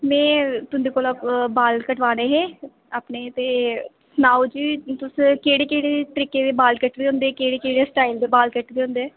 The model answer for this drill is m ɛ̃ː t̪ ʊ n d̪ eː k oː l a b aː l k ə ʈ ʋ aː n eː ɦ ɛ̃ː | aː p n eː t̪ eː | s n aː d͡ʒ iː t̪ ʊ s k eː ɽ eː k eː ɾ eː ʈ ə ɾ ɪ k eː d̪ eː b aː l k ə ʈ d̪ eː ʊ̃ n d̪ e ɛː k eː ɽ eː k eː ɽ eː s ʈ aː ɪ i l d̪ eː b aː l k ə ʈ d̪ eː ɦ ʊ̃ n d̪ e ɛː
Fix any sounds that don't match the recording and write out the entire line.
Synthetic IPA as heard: m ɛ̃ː t̪ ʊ n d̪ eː k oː l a b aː l k ə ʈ ʋ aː n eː ɦ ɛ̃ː | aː p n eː t̪ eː | s n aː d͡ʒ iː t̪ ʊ s k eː ɽ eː k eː ɽ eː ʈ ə ɾ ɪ k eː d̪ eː b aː l k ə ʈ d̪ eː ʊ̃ n d̪ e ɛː k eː ɽ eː k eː ɽ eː s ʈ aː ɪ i l d̪ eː b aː l k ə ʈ d̪ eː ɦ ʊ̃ n d̪ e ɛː